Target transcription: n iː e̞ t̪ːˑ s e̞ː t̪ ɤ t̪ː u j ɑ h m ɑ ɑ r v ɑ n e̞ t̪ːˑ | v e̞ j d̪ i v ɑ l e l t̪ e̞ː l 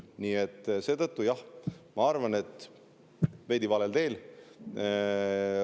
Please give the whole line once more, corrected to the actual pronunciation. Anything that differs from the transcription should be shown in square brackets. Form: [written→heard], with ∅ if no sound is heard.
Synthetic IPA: n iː e̞ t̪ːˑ s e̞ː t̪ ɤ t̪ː u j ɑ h m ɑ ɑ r v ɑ n e̞ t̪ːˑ | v e̞ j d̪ i v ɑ l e l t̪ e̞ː l